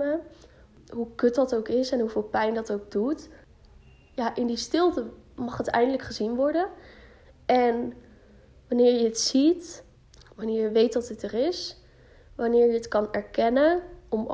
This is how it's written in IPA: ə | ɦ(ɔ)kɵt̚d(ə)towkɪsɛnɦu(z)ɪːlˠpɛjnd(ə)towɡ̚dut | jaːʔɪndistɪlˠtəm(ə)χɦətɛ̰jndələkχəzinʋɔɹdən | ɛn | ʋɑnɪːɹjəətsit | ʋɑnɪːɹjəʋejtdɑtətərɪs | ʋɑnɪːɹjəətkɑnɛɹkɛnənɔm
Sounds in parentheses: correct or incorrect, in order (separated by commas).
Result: incorrect, incorrect, incorrect, incorrect, incorrect